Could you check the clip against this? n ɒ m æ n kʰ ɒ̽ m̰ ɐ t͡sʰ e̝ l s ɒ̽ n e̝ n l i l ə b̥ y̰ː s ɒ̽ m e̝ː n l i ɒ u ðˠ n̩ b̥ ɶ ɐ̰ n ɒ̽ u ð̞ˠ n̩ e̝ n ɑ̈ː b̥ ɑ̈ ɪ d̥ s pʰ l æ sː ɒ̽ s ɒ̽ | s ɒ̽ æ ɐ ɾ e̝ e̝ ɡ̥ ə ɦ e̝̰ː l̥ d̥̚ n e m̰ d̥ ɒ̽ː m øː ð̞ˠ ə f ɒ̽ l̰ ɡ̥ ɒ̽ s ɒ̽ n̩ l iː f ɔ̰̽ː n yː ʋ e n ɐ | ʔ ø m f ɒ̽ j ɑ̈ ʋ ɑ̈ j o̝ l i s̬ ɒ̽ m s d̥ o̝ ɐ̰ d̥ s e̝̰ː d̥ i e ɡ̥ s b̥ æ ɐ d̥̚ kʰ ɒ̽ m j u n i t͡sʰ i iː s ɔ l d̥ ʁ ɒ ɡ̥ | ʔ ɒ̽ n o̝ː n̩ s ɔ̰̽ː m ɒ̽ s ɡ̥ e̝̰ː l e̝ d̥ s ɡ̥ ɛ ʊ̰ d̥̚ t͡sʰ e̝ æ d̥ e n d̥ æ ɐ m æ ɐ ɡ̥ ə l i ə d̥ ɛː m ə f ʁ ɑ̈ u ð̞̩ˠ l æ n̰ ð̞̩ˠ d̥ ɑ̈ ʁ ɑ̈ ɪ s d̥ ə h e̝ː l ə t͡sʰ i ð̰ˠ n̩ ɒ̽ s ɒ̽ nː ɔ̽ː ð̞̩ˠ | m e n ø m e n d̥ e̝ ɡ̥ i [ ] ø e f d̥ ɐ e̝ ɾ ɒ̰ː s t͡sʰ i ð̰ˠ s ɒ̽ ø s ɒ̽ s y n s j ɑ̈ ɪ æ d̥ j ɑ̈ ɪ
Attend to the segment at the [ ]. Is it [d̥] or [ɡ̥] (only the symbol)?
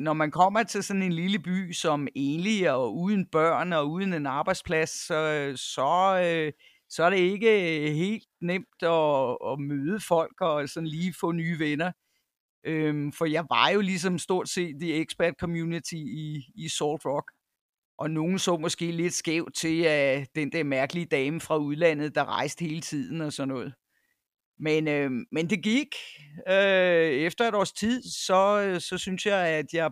ɡ̥